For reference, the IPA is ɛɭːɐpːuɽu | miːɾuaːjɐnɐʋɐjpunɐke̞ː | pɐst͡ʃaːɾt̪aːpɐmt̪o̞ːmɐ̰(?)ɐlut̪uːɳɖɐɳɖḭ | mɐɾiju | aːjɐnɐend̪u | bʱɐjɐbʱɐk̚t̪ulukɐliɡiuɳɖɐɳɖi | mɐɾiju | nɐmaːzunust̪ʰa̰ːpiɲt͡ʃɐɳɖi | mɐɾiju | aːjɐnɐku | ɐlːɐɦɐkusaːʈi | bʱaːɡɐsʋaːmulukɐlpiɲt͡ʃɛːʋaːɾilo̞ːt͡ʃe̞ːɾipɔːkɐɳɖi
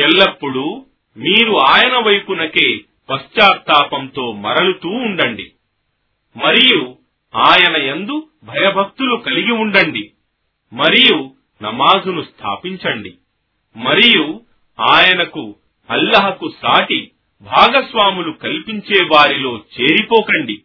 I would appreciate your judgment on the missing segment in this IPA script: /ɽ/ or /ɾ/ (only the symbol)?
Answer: ɾ